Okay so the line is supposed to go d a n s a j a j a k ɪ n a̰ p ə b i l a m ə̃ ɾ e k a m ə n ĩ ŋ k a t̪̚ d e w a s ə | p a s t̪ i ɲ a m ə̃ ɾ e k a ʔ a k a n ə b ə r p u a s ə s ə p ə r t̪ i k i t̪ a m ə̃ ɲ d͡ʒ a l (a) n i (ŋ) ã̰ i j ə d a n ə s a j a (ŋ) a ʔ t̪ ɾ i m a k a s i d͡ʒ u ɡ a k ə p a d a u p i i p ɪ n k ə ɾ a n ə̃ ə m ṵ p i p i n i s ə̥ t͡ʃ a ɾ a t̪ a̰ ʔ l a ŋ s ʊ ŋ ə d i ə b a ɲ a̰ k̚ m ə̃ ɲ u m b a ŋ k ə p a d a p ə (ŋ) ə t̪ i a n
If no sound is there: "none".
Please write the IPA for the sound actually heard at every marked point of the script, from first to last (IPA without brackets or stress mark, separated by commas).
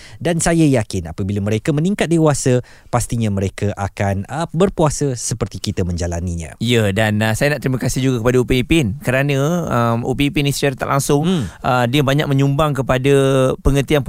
a, ɲ, n, ŋ